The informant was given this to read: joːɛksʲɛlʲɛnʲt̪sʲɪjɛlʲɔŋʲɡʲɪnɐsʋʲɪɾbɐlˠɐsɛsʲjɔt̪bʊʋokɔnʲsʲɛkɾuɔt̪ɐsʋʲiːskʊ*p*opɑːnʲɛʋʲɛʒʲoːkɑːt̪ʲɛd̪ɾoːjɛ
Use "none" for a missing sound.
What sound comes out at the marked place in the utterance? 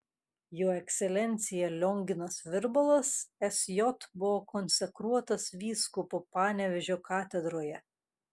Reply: p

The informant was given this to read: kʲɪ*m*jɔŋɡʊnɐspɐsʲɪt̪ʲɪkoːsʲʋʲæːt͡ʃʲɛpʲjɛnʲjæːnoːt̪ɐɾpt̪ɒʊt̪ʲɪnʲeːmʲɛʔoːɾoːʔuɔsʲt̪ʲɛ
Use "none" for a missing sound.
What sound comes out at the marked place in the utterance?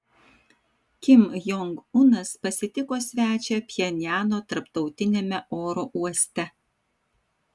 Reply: m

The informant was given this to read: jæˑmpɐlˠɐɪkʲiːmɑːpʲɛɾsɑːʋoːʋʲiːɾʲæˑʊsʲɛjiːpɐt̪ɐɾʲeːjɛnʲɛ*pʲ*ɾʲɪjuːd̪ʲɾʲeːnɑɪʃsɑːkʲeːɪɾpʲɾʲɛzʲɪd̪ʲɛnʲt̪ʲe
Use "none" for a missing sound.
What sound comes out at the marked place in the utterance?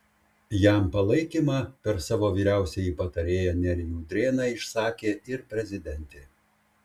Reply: none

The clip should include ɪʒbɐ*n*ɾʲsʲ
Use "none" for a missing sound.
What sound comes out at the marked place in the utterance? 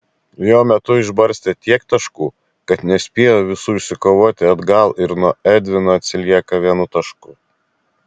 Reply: none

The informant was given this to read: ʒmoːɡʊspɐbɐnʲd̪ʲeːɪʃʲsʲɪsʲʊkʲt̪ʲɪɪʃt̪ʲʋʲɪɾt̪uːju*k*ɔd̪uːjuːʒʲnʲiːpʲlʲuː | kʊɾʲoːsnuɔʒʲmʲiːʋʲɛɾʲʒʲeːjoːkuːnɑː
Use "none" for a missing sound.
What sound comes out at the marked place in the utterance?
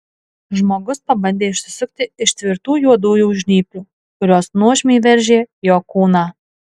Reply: none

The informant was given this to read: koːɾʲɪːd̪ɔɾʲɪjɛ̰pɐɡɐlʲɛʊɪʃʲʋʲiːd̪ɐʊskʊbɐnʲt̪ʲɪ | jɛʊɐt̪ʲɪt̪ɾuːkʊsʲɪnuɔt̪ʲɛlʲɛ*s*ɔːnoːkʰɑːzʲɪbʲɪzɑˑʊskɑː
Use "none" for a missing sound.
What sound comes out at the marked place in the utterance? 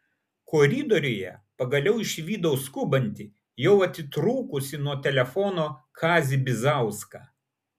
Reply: f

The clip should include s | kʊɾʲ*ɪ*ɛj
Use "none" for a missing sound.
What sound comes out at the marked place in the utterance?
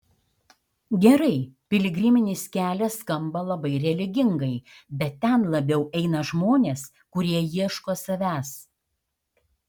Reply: i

